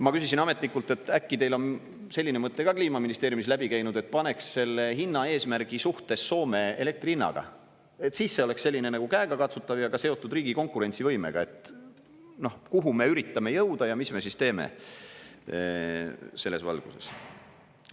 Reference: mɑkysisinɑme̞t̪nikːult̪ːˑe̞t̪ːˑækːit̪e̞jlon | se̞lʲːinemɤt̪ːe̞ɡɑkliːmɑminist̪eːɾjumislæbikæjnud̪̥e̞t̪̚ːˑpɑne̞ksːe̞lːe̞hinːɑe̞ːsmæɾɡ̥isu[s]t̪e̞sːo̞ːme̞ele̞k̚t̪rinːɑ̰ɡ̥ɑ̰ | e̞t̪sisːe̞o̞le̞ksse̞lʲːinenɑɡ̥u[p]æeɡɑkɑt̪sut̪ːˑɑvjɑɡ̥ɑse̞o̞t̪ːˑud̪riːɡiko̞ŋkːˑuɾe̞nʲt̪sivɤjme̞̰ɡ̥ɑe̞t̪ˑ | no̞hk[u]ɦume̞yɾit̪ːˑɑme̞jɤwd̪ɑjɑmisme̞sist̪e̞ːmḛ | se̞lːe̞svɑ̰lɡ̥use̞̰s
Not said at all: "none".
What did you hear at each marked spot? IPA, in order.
h, k, u

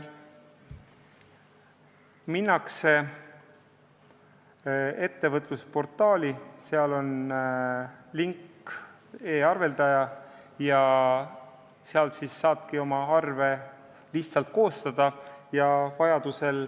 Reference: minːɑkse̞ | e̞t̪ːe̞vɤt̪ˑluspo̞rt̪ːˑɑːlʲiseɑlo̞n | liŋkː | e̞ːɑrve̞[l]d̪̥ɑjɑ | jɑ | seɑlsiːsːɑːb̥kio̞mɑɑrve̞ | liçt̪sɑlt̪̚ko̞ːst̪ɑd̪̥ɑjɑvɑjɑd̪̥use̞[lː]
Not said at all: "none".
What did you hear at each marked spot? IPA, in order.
l, l

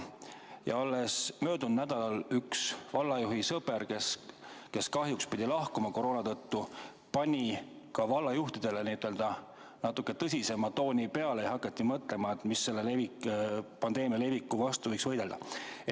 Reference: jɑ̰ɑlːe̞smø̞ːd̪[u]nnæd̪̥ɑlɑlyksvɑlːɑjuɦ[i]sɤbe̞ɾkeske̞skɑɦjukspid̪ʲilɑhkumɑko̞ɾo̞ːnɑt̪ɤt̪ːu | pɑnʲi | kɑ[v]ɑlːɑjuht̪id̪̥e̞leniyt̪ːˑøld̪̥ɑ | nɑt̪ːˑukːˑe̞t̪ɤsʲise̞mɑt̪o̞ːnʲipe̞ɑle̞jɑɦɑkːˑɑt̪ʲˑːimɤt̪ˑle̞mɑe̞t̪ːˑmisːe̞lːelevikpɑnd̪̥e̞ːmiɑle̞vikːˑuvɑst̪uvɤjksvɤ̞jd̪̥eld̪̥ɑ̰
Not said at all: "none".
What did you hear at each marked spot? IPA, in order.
u, i, v

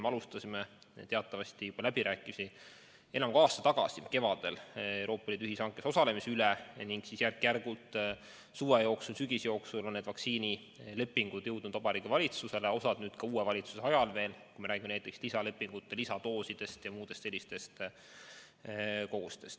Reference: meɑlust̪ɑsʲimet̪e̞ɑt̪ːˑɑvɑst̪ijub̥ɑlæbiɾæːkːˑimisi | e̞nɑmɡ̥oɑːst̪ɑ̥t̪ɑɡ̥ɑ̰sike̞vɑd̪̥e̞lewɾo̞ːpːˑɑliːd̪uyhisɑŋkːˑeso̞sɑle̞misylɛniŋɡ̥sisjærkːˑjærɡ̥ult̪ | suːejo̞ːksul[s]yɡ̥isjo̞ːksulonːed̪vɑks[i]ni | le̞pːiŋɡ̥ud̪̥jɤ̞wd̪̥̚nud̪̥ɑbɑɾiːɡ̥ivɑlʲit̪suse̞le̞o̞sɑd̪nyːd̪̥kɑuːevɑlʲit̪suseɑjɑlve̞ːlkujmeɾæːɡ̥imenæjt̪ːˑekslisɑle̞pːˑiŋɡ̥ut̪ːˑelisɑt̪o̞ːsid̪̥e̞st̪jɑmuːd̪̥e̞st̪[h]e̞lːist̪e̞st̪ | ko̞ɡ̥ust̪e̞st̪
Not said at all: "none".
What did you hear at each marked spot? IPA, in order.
s, iː, s

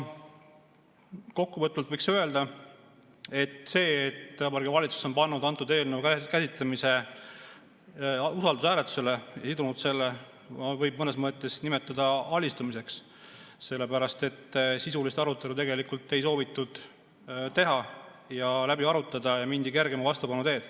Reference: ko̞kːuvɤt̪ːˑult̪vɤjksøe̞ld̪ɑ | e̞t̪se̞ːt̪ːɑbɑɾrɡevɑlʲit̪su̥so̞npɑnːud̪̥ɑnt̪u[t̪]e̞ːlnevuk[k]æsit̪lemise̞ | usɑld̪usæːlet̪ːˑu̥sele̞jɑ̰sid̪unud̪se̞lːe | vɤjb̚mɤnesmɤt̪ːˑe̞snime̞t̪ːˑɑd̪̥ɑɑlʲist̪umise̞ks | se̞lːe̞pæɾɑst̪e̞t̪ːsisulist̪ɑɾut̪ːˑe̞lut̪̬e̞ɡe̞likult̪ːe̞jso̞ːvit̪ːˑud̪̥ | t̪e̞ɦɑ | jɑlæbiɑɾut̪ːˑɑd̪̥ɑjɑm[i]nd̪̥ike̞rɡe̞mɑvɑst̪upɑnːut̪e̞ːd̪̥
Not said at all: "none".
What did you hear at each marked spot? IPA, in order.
d̪, k, i

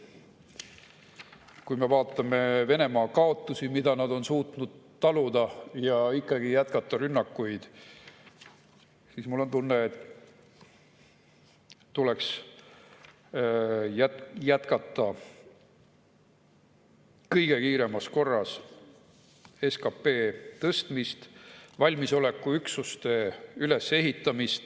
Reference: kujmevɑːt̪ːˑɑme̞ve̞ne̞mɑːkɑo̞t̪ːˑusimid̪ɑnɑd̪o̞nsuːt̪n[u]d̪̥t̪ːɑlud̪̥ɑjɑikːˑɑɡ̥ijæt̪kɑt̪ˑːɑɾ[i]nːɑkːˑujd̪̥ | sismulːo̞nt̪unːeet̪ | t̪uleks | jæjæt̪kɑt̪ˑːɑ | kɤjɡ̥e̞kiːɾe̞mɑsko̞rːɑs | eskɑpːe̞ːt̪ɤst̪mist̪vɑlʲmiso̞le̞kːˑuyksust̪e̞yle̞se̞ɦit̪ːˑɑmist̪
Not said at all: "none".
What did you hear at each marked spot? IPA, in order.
u, y

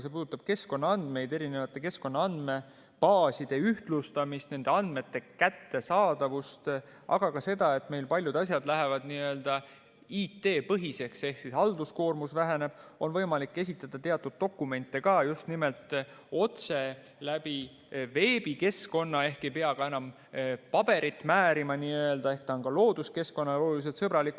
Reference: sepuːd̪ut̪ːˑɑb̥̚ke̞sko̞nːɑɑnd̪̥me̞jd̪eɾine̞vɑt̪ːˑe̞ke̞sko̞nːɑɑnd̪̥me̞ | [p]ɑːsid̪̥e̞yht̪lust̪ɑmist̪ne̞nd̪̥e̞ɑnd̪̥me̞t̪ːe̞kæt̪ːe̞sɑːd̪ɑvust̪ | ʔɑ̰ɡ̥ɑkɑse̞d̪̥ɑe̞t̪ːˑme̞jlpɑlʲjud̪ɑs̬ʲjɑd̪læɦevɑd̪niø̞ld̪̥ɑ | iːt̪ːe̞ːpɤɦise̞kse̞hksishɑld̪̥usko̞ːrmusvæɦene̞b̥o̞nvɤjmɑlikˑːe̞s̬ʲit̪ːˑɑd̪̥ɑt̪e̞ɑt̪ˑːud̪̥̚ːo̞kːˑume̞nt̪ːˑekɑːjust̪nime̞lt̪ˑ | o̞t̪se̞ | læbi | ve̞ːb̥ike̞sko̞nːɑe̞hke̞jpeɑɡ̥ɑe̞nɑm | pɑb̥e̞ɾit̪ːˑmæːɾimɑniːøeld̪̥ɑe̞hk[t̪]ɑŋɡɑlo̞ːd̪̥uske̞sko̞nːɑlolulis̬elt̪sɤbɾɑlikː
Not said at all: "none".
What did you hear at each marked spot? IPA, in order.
p, t̪

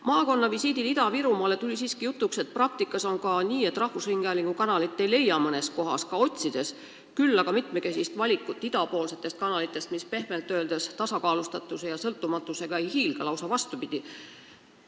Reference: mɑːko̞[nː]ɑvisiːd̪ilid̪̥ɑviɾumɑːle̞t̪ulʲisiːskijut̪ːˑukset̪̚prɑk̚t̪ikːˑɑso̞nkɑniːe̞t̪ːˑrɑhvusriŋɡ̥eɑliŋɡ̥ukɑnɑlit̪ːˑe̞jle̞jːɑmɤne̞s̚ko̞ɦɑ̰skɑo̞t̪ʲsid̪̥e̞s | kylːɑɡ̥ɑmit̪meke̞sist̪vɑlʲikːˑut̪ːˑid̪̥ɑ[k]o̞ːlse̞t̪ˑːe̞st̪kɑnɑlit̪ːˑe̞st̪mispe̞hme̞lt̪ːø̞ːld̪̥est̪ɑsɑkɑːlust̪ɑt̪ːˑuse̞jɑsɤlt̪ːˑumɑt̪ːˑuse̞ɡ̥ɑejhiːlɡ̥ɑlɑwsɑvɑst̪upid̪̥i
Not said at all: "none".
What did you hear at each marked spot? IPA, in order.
nː, p

